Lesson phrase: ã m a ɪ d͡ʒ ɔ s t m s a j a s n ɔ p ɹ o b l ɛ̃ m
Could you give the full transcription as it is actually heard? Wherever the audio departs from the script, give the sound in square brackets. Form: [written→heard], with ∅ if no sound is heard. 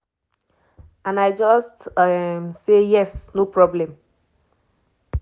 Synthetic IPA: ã [m→n] a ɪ d͡ʒ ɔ s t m s [a→e] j [a→ɛ] s n [ɔ→o] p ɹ [o→ɔ] b l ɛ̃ m